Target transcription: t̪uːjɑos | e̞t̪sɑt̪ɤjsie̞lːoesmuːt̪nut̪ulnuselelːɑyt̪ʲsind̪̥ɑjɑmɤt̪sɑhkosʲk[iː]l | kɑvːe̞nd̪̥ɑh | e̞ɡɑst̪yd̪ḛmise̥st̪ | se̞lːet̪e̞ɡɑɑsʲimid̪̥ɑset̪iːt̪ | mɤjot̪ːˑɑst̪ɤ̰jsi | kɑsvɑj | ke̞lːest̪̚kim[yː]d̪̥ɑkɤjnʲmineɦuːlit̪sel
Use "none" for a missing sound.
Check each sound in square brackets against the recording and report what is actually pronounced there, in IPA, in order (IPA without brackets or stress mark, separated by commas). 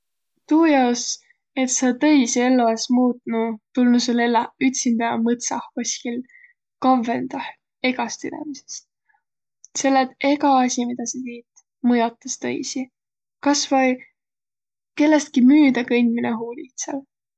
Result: i, yː